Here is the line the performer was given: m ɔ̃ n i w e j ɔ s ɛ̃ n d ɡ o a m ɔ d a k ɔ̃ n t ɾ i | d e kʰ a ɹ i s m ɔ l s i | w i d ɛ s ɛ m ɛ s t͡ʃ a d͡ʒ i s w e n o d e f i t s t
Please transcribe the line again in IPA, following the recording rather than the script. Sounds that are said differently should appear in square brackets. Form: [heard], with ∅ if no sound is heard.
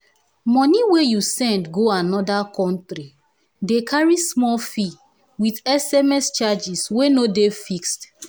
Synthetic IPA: m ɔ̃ n i w e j [u] s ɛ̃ n d ɡ o a [n] ɔ d a k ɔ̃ n t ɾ i | d e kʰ a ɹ i s m ɔ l [f] i | w i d ɛ s ɛ m ɛ s t͡ʃ a d͡ʒ i s w e n o d e f i [k] s t